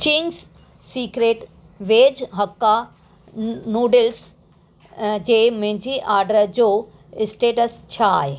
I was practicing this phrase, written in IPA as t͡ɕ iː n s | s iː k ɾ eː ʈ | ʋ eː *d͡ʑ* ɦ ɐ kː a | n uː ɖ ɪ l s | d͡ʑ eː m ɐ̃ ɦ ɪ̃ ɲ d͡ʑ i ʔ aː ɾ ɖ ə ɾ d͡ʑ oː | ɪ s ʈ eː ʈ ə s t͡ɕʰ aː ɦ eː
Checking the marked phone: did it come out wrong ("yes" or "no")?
no